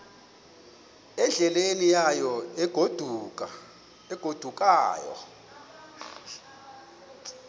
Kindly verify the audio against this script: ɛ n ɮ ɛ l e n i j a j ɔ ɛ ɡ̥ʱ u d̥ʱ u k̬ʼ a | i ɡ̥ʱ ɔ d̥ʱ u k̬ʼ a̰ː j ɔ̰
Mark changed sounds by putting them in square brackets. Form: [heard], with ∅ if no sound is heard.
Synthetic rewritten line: ɛ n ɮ ɛ l e n i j a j ɔ ɛ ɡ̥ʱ [o] d̥ʱ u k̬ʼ a | [ɛ] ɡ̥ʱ [o] d̥ʱ u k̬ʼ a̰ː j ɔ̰

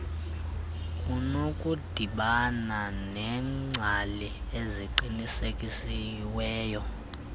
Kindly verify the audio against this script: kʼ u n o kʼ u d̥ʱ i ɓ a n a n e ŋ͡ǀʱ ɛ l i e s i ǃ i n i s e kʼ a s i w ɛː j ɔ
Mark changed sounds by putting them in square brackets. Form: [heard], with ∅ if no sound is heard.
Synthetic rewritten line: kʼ u n o kʼ u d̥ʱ i ɓ a n a n [ɛ] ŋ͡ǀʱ [a] l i e [z] i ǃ i n i s e kʼ [i] s i w ɛː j ɔ

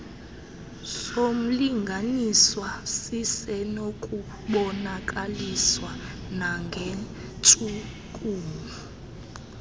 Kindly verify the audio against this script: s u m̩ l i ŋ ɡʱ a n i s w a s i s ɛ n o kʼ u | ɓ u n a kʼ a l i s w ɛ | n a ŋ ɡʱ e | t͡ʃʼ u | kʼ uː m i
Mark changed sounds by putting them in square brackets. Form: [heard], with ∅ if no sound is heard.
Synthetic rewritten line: s [o] m̩ l i ŋ ɡʱ a n i s w a s i s ɛ n o kʼ u | ɓ [ɔ] n a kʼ a l i s w [a] | n a ŋ ɡʱ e | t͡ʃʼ u | kʼ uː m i

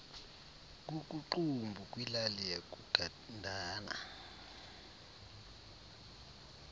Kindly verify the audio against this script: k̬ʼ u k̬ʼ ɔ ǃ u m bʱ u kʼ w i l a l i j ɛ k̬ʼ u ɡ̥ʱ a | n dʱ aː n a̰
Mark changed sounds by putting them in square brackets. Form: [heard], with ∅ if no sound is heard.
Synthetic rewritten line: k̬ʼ u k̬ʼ [u] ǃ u m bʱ u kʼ w i l a l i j [a] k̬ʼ u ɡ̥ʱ a | n dʱ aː n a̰

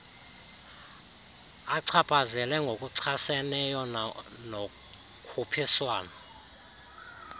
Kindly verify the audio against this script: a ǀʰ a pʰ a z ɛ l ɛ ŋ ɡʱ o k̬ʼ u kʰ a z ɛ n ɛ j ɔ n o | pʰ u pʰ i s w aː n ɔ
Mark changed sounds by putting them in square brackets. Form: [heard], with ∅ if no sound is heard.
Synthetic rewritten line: a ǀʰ a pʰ a z ɛ l ɛ ŋ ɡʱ o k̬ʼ u [ǀʰ] a [s] ɛ n ɛ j ɔ n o | [kʰ] u pʰ i s w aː n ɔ

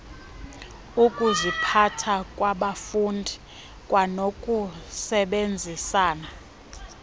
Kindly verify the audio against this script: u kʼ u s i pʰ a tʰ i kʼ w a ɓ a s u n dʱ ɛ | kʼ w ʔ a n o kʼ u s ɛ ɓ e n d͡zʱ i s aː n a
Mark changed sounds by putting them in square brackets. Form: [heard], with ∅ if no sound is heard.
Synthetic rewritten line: u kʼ u [z] i pʰ a tʰ [a] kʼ w a ɓ a [f] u n dʱ [i] | kʼ w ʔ a n o kʼ u s ɛ ɓ e n d͡zʱ i s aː n a

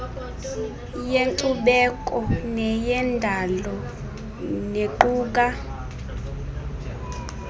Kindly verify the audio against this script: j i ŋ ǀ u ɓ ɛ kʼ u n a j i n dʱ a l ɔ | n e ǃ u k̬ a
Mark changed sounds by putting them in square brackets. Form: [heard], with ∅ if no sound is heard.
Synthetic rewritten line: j [e] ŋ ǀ u ɓ ɛ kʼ [ɔ] n [ɛ] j [ɛ] n dʱ a l ɔ | n e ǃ [uː] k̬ a

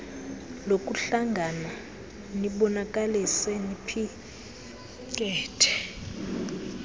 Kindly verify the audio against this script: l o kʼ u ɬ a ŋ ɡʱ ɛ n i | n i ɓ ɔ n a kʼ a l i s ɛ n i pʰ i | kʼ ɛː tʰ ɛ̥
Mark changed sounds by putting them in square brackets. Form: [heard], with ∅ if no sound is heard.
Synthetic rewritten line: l o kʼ u ɬ a ŋ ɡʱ [a] n [a] | n i ɓ ɔ n a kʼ a l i s ɛ n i pʰ i | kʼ ɛː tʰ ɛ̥

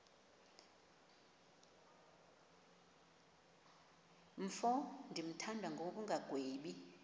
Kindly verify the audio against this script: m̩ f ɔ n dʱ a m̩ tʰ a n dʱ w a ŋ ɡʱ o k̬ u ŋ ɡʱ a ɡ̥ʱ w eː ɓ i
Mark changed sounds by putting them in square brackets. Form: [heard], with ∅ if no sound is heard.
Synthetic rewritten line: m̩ f ɔ n dʱ [i] m̩ tʰ a n dʱ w a ŋ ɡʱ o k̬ u ŋ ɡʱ a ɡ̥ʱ w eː ɓ i

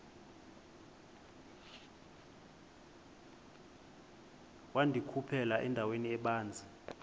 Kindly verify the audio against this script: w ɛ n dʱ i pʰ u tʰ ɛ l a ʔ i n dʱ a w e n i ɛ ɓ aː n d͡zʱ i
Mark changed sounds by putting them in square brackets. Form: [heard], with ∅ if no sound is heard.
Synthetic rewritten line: w [a] n dʱ i [kʰ] u [pʰ] ɛ l a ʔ [ɛ] n dʱ a w e n i ɛ ɓ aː n d͡zʱ i

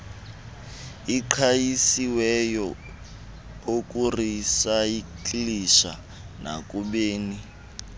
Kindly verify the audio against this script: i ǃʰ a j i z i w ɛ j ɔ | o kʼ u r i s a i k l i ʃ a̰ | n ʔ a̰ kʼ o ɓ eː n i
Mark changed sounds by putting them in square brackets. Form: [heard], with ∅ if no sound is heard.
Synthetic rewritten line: i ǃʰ a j i [s] i w ɛ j ɔ | o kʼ u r i s a i k l i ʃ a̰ | n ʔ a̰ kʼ [u] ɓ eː n i

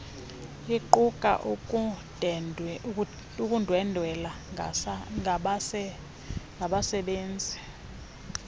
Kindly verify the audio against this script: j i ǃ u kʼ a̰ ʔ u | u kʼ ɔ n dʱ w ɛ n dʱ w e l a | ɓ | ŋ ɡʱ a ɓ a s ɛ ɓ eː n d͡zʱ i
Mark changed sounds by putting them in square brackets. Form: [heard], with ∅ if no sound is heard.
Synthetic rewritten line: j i ǃ u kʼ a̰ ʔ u | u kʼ [u] n dʱ w ɛ n dʱ w [ɛ] l a | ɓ | ŋ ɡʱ a ɓ a s ɛ ɓ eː n d͡zʱ i

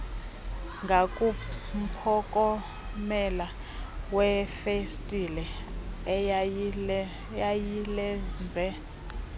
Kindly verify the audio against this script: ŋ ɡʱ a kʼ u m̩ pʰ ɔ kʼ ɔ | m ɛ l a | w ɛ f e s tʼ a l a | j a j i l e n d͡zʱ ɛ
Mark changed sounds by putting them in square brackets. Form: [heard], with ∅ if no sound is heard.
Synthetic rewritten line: ŋ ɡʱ a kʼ u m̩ pʰ ɔ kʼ ɔ | m ɛ l a | w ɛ f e s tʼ [i] l [ɛ] | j a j i l [ɛ] n d͡zʱ ɛ

